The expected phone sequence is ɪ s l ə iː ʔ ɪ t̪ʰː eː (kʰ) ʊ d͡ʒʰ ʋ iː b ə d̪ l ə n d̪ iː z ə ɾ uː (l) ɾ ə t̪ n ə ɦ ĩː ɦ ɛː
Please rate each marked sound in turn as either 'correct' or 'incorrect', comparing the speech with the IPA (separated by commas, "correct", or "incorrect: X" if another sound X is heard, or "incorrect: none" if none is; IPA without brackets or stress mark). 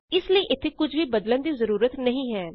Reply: incorrect: k, incorrect: none